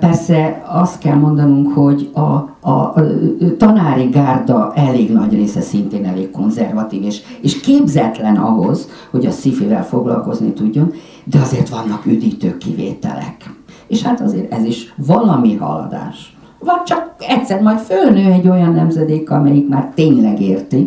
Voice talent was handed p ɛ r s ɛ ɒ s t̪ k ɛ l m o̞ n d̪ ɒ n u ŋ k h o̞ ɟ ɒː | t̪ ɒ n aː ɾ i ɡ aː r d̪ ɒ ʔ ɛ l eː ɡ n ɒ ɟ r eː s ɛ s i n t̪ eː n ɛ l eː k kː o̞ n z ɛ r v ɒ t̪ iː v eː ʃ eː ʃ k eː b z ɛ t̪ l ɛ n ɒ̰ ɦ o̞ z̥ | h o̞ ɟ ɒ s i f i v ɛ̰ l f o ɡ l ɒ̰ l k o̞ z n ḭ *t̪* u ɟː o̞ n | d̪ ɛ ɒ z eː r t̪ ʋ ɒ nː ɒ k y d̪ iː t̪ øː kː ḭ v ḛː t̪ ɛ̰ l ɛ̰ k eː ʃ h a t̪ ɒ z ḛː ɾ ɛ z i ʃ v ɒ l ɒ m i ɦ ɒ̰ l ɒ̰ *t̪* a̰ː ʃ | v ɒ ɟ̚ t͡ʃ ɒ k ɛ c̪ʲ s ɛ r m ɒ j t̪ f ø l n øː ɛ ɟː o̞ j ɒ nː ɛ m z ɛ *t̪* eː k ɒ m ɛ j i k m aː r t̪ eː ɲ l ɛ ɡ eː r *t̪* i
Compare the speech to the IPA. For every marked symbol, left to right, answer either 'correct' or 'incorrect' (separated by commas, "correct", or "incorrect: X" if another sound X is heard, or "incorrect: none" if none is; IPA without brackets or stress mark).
correct, incorrect: d̪, incorrect: d̪, correct